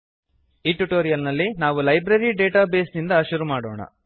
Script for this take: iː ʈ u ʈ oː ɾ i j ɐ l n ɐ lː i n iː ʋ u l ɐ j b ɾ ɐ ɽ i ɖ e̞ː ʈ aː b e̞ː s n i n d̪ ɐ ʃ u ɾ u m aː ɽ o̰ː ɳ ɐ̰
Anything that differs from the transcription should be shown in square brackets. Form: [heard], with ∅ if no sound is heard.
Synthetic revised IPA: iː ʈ u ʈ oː ɾ i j ɐ l n ɐ lː i n [aː] ʋ u l ɐ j b ɾ ɐ [ɾ] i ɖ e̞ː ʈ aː b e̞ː s n i n d̪ ɐ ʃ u ɾ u m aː ɽ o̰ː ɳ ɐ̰